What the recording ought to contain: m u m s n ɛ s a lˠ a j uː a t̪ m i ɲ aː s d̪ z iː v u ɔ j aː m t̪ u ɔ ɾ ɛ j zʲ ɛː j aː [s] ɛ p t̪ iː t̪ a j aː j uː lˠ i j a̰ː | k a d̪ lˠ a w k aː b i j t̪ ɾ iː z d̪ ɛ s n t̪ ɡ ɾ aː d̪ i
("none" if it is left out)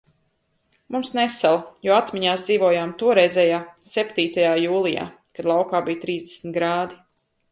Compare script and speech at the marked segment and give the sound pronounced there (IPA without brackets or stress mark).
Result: s